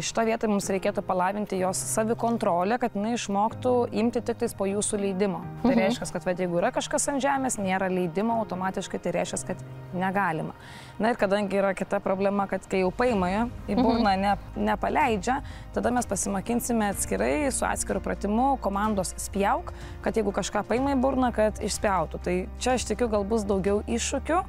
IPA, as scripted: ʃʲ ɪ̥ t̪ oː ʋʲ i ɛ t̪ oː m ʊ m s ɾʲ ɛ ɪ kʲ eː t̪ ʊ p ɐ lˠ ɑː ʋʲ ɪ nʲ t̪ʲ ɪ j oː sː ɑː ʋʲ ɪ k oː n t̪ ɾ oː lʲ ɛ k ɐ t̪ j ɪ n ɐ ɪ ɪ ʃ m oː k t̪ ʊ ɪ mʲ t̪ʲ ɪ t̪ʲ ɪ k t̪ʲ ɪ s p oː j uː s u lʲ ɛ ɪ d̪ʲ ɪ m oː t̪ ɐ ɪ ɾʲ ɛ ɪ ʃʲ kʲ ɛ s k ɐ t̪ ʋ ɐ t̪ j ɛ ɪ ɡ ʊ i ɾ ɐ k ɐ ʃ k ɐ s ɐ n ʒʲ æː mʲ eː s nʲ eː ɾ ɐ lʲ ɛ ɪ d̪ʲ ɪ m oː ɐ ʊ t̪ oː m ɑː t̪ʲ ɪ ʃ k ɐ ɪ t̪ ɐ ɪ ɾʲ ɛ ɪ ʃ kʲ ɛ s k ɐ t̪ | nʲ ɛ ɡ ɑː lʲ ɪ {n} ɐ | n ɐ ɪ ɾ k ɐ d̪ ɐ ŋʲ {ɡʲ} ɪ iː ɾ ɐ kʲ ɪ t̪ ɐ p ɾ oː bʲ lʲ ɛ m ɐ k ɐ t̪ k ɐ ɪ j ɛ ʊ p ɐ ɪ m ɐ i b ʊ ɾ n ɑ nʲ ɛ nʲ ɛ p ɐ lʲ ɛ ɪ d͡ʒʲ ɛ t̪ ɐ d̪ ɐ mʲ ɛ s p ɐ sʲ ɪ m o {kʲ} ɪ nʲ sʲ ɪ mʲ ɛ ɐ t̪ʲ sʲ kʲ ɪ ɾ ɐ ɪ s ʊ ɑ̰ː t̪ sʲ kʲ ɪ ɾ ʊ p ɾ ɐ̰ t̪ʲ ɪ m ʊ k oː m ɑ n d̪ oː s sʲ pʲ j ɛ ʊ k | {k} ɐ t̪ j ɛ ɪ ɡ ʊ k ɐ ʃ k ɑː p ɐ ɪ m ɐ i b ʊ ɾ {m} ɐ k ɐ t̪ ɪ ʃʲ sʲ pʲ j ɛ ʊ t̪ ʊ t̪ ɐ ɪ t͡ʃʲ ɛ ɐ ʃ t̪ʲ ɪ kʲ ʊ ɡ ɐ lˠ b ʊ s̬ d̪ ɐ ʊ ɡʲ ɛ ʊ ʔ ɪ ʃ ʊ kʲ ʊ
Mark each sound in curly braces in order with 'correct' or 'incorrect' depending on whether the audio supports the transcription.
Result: incorrect, correct, correct, correct, incorrect

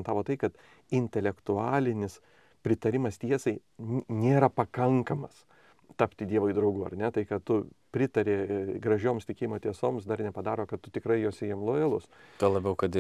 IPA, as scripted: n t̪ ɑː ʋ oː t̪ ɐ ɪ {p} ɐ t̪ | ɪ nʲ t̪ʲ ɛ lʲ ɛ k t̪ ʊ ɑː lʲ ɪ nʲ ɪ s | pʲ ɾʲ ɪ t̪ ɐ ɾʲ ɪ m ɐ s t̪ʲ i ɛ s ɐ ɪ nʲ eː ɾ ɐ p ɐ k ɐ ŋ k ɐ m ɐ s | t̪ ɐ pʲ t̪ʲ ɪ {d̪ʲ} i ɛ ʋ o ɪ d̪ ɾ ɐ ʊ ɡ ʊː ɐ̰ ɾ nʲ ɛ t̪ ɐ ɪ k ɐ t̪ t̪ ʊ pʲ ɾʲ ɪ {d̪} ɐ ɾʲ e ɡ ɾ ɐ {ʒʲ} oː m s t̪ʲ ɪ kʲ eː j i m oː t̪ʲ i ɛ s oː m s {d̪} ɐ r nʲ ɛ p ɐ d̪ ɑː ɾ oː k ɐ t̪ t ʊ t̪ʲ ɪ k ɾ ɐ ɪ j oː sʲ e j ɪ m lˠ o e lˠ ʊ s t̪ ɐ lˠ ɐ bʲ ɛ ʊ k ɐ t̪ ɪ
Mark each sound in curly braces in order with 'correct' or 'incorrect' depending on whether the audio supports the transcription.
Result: incorrect, correct, incorrect, correct, correct

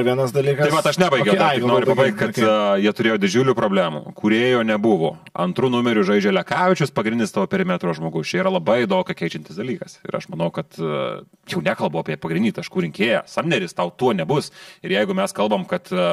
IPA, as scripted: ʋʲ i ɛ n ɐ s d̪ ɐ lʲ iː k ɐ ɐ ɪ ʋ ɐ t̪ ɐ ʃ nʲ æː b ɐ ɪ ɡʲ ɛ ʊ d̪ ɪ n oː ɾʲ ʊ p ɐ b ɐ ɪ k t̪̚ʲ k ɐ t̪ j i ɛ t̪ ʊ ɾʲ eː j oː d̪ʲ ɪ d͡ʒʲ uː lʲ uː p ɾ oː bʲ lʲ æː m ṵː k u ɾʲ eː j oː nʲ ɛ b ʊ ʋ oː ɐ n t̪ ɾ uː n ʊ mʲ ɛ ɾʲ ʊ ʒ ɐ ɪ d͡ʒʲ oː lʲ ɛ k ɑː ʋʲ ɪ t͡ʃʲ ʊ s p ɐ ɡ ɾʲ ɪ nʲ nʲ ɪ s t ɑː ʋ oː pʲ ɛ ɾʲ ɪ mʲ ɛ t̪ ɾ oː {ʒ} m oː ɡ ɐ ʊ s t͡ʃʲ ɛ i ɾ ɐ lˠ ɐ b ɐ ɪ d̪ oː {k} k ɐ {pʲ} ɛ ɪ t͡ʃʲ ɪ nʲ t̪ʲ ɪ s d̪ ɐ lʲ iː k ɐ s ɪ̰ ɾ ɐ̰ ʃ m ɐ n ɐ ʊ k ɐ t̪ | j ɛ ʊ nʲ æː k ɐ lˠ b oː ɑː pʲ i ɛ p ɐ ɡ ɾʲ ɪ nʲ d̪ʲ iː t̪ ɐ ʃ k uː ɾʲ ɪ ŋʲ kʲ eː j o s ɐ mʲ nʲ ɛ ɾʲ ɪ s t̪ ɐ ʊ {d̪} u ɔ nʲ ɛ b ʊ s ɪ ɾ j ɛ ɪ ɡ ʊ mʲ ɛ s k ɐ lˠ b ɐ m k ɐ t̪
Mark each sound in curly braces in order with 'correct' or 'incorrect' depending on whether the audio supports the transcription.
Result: correct, correct, incorrect, incorrect

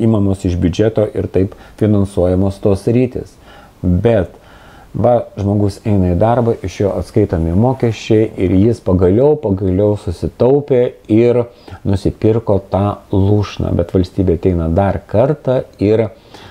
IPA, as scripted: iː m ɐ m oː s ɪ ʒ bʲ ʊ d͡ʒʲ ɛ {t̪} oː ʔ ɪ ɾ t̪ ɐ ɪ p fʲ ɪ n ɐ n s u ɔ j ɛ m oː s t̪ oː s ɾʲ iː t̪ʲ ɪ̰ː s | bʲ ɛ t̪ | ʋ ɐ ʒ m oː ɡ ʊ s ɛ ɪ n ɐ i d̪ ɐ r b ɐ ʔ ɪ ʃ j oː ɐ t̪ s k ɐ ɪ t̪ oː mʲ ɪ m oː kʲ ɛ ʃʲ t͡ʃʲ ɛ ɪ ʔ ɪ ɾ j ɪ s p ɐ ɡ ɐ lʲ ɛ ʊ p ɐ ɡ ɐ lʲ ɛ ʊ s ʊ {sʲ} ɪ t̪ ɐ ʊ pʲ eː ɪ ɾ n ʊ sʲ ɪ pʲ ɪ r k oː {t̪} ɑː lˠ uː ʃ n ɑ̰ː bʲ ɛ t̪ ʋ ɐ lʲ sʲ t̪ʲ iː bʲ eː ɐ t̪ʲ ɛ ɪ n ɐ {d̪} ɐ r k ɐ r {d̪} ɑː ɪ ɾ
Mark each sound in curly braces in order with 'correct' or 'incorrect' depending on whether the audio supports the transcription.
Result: correct, correct, correct, correct, incorrect

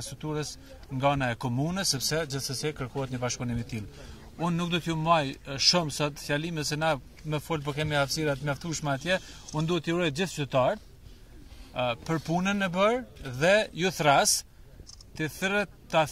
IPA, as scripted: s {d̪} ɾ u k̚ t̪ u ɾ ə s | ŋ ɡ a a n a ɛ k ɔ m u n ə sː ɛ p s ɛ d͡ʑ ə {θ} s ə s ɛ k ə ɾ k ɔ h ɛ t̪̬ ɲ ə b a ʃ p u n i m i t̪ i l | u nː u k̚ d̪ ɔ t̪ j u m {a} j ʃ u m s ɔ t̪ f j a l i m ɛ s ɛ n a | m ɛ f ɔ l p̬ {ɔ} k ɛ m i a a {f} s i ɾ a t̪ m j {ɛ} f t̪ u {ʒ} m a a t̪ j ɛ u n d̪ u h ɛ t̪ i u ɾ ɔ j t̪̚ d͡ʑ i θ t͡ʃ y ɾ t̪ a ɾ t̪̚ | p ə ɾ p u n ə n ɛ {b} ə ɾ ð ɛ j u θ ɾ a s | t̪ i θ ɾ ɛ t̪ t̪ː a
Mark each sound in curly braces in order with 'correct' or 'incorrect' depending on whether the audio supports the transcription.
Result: incorrect, correct, correct, correct, correct, incorrect, incorrect, correct

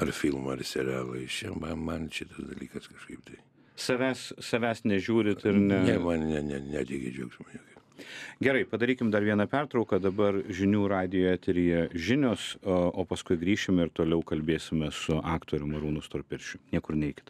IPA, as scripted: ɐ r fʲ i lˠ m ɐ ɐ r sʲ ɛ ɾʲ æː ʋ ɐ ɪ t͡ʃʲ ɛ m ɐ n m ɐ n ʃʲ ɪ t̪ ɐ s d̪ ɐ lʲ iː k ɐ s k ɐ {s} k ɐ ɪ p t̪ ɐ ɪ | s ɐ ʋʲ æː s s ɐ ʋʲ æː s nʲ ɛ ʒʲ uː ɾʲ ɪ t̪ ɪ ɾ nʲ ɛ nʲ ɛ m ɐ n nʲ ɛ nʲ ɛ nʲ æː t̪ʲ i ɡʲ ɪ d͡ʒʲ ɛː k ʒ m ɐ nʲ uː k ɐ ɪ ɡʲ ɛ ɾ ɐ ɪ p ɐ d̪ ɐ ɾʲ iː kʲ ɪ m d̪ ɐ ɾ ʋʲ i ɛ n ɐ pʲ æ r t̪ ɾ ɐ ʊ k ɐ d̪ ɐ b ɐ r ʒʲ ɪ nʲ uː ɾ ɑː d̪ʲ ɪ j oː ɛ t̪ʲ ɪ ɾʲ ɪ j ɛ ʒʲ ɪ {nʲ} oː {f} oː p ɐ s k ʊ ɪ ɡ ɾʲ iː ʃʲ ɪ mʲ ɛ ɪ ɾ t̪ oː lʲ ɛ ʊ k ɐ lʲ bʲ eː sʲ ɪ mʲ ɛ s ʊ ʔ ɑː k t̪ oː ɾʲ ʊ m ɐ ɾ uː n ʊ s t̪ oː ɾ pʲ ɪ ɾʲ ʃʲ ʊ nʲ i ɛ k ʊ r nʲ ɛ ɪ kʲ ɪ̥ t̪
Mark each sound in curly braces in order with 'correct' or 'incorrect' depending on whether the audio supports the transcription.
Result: incorrect, correct, incorrect

